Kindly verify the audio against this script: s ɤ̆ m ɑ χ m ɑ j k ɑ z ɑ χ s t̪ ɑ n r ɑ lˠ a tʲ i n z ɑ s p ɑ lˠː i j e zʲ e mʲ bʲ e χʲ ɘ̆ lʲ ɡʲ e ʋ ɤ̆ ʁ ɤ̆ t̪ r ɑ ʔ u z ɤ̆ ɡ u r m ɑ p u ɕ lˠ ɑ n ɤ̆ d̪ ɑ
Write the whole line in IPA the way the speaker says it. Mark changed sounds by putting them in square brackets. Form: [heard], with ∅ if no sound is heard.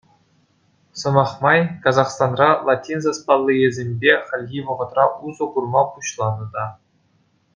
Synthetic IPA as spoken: s ɤ̆ m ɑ χ m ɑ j k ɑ z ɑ χ s t̪ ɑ n r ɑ lˠ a tʲ i n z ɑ s p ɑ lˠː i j e zʲ e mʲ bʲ e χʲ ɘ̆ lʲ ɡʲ [i] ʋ ɤ̆ ʁ ɤ̆ t̪ r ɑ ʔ u z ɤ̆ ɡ u r m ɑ p u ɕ lˠ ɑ n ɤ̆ d̪ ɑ